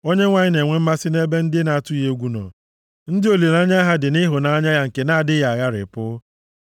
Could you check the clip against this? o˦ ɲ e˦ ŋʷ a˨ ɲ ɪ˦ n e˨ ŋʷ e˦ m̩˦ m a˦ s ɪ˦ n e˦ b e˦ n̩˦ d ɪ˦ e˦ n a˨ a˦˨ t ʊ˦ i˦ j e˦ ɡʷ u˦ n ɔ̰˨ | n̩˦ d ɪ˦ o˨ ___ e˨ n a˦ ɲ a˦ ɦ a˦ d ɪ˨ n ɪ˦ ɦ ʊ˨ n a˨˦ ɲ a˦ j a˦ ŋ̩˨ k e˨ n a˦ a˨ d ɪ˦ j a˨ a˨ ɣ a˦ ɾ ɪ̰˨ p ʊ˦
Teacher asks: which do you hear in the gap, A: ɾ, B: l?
B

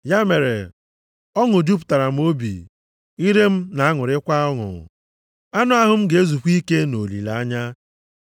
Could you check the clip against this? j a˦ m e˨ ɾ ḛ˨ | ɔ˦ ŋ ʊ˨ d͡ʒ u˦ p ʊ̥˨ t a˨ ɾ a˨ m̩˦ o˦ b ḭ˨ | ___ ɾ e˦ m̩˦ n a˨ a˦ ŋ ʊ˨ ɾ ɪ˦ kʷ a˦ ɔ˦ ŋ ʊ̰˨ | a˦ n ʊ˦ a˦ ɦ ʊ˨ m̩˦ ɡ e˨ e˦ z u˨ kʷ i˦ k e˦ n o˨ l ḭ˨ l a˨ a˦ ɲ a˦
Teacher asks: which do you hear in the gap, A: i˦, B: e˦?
A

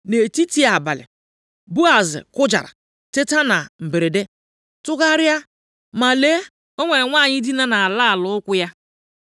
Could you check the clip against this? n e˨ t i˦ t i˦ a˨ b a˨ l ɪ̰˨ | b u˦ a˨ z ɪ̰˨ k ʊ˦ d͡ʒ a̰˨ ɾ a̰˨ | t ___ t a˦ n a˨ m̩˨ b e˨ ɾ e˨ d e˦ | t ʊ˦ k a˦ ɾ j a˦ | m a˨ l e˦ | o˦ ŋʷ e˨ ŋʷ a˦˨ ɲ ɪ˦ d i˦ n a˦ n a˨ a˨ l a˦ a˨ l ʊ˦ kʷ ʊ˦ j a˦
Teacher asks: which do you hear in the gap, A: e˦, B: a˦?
A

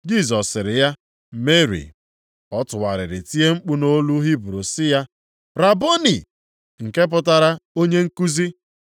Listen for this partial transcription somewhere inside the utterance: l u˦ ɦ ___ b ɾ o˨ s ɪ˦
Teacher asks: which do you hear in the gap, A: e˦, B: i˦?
B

